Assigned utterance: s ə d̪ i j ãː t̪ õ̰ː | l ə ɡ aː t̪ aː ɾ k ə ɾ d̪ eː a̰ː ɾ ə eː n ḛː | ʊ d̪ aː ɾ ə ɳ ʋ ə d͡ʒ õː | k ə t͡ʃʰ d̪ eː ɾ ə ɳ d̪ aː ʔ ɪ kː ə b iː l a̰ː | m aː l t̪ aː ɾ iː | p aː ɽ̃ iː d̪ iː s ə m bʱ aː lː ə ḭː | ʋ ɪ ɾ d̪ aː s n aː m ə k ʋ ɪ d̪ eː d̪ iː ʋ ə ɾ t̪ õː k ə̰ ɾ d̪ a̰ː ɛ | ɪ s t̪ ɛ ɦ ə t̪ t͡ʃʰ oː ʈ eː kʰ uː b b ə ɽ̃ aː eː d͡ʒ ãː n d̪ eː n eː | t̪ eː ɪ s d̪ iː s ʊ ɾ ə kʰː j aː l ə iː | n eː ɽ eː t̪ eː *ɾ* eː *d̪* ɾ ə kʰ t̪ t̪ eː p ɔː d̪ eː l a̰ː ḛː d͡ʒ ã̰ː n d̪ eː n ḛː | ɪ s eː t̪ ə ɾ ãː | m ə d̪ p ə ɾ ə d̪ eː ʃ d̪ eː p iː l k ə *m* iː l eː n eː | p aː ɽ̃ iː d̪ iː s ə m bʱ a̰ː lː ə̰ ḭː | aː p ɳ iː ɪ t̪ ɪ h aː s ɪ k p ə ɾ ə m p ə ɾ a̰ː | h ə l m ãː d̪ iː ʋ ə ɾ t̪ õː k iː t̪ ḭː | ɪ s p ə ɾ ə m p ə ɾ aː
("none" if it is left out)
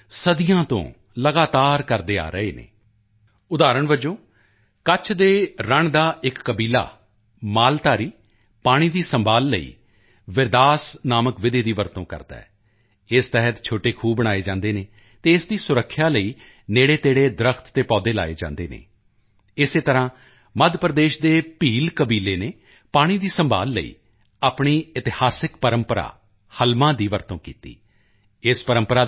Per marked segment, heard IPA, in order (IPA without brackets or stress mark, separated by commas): ɽ, d̪, b